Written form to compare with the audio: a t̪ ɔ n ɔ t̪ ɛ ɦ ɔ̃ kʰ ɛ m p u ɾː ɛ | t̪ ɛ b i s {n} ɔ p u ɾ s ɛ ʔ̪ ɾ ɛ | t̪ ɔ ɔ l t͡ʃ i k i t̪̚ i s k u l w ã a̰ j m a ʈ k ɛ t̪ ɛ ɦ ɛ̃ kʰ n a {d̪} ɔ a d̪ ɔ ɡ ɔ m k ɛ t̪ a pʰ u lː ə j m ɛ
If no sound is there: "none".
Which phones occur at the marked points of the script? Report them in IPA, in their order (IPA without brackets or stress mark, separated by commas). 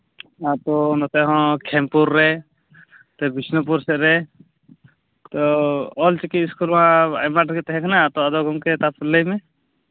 n, t̪